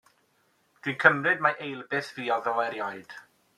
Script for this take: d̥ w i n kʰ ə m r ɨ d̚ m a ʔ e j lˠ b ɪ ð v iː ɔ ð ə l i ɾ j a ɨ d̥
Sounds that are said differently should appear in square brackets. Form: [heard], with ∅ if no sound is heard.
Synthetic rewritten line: d̥ w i n kʰ ə m r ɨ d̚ m a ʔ e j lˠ b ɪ [θ] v iː ɔ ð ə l [ɛ] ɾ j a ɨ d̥